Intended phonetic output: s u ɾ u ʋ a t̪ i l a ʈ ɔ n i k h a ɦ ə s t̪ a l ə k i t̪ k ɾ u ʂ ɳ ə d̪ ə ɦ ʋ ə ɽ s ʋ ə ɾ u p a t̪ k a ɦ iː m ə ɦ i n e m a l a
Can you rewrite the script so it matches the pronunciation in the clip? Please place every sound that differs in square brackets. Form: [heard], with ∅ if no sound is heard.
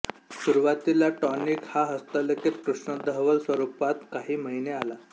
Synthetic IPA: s u ɾ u ʋ a t̪ i l a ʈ ɔ n i k h a ɦ ə s t̪ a l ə k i t̪ k ɾ u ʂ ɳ ə d̪ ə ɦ ʋ ə [l] s ʋ ə ɾ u p a t̪ k a ɦ iː m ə ɦ i n e [∅] a l a

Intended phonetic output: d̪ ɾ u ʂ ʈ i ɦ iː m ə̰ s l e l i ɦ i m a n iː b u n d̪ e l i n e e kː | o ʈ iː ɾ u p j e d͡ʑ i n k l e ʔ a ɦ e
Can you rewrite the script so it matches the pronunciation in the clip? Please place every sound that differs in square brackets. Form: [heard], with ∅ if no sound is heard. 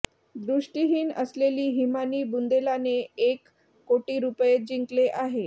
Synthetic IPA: d̪ ɾ u ʂ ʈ i ɦ iː [n] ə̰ s l e l [iː] ɦ i m a n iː b u n d̪ e l [a] n e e kː | o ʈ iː ɾ u p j e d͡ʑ i [ŋ] k l e ʔ a ɦ e

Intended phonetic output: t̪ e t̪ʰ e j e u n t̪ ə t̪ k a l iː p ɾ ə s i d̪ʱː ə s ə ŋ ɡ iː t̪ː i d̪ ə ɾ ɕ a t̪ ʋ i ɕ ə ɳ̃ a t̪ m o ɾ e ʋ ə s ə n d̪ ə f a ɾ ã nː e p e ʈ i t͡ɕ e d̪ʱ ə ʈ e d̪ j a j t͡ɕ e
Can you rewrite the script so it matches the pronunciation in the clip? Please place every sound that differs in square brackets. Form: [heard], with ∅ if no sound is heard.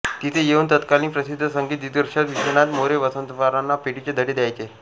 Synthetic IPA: t̪ [i] t̪ʰ e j e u n t̪ ə t̪ k a l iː p ɾ ə s i d̪ʱː ə s ə ŋ ɡ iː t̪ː i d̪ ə ɾ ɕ a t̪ ʋ i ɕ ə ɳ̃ a t̪ m o ɾ e ʋ ə s ə n [t̪] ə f a ɾ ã nː [a] p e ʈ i t͡ɕ e d̪ʱ ə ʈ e d̪ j a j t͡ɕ e

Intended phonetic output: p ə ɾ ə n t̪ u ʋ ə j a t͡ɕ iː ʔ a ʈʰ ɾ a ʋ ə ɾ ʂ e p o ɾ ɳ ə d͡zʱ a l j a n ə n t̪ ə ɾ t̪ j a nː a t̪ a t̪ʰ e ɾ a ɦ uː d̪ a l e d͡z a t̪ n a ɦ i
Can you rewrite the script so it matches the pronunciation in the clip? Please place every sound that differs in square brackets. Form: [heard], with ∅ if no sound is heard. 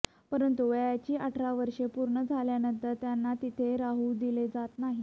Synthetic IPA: p ə ɾ ə n t̪ u ʋ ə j a t͡ɕ iː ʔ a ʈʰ ɾ a ʋ ə ɾ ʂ e p [u] ɾ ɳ ə d͡zʱ a l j a n ə n t̪ ə ɾ t̪ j a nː a t̪ [i] t̪ʰ e ɾ a ɦ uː d̪ [i] l e d͡z a t̪ n a ɦ i

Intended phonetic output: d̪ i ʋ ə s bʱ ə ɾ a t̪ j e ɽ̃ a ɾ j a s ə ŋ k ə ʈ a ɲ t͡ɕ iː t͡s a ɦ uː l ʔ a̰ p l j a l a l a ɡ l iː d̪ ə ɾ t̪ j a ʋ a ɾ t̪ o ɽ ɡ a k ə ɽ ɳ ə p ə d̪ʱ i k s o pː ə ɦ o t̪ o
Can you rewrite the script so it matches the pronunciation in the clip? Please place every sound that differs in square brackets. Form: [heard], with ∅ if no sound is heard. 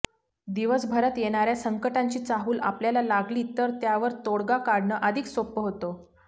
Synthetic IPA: d̪ i ʋ ə s bʱ ə ɾ a t̪ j e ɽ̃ a ɾ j a s ə ŋ k ə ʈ a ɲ t͡ɕ iː t͡s a ɦ uː l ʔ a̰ p l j a l a l a ɡ l iː [t̪] ə ɾ t̪ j a ʋ [ə] ɾ t̪ o ɽ ɡ a k [a] ɽ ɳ ə [ʔ] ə d̪ʱ i k s o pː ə ɦ o t̪ o

